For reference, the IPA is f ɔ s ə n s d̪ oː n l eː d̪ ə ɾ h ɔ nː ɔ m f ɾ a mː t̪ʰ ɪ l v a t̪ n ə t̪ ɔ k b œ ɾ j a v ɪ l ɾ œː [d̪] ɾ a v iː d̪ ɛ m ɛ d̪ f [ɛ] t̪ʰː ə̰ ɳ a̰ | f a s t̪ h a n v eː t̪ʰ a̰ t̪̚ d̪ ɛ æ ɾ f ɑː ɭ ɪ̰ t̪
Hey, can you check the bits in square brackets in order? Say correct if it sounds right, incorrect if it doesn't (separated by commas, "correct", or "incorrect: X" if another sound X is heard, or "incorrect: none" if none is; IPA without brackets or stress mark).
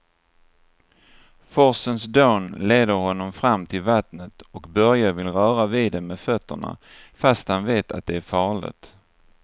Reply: incorrect: none, incorrect: œ